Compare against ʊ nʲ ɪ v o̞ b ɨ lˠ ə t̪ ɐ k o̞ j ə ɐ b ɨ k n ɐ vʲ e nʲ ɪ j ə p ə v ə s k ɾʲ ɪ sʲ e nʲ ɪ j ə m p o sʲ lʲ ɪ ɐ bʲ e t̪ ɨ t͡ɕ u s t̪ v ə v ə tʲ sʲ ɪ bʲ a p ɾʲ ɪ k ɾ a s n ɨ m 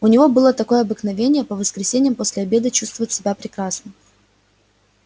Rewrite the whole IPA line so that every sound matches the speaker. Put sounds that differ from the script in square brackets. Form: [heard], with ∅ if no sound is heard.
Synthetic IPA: ʊ nʲ ɪ v o̞ b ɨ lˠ ə t̪ ɐ k o̞ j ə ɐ b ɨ k n ɐ vʲ e nʲ ɪ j ə p ə v ə s k ɾʲ ɪ sʲ e nʲ ɪ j ə m p o sʲ lʲ ɪ ɐ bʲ e [d̪] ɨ t͡ɕ u s t̪ v ə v ə tʲ sʲ ɪ bʲ a p ɾʲ ɪ k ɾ a s n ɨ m